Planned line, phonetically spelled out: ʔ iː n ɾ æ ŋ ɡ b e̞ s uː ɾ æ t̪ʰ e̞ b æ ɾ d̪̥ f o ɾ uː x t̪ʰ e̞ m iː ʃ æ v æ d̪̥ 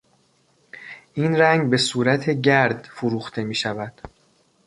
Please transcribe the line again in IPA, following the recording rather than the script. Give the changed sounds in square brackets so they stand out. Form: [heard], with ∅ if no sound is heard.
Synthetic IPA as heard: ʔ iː n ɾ æ ŋ ɡ b e̞ s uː ɾ æ t̪ʰ e̞ [ɟ] æ ɾ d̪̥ f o ɾ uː x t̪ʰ e̞ m iː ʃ æ v æ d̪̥